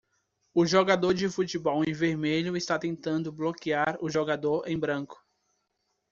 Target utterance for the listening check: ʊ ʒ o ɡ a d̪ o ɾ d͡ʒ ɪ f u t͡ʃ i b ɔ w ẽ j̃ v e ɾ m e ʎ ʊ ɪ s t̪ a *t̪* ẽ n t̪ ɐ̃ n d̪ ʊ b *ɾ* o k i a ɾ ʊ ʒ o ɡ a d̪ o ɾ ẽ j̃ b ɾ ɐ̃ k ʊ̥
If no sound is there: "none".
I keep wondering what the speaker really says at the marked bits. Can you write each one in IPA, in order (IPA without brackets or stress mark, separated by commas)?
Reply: t̪, l